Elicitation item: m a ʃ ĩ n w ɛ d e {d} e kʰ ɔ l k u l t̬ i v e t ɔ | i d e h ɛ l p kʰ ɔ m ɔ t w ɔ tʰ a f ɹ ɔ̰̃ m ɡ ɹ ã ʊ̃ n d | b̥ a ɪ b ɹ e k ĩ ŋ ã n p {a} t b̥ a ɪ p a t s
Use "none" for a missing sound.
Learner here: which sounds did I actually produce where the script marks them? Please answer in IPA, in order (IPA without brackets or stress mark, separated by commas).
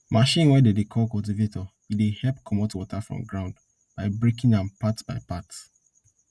d, a